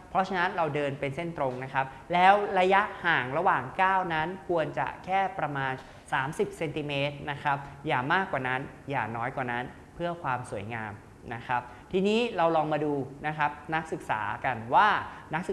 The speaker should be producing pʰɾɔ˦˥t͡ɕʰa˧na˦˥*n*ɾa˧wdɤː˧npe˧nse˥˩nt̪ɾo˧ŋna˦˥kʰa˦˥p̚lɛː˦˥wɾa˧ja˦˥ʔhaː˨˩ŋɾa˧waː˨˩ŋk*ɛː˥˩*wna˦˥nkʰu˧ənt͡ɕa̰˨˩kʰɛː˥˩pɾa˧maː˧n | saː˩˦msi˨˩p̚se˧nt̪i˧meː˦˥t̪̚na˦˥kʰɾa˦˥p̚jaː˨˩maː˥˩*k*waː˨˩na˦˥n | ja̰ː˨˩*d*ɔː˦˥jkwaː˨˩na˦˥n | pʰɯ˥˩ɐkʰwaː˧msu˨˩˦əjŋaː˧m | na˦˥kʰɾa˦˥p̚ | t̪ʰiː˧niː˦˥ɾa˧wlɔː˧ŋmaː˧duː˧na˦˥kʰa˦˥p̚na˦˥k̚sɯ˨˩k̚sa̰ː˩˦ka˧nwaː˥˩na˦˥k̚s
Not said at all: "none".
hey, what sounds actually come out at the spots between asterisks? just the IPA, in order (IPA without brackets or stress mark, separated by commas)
n, aː˥˩, k, n